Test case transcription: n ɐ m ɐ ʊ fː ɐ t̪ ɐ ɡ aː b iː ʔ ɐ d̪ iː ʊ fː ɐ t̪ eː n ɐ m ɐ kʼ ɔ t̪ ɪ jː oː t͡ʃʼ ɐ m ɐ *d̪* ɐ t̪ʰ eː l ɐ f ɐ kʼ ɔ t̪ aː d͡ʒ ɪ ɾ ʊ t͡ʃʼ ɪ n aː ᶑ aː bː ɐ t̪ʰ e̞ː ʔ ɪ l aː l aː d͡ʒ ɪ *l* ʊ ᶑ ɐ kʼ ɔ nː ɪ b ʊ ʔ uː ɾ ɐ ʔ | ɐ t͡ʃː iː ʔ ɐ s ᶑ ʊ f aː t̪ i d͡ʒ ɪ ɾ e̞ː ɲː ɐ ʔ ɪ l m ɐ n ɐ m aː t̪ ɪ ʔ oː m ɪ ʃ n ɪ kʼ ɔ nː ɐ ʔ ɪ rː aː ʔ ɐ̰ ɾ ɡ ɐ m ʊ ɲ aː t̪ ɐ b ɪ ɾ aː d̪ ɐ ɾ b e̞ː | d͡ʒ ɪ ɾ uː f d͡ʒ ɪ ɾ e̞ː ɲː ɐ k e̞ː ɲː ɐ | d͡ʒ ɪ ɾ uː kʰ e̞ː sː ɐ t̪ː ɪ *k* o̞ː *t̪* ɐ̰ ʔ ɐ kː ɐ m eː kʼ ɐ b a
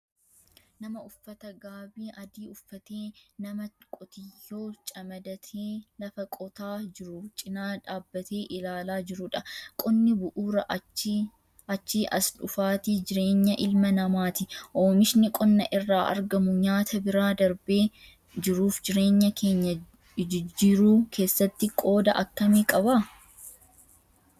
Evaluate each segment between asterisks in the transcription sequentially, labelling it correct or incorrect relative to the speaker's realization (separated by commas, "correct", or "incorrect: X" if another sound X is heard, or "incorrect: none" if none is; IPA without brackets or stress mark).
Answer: correct, incorrect: ɾ, incorrect: kʼ, incorrect: d̪